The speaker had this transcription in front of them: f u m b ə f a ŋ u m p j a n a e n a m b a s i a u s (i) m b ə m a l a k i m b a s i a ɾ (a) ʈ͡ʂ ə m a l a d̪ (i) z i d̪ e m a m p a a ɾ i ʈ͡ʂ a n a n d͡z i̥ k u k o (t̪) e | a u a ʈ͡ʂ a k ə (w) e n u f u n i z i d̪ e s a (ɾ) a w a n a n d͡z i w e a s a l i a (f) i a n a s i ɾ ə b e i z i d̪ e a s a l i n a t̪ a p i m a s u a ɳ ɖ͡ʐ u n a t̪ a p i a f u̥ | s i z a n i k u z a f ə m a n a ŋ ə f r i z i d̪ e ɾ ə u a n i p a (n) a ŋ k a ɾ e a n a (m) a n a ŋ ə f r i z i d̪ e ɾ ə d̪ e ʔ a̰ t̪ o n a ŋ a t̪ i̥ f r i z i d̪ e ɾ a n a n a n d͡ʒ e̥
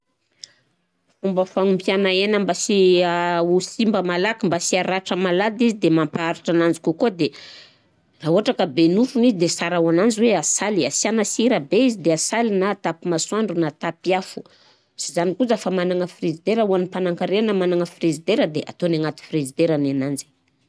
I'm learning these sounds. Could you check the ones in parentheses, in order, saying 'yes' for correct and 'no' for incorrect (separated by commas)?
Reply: yes, yes, yes, no, no, yes, no, yes, yes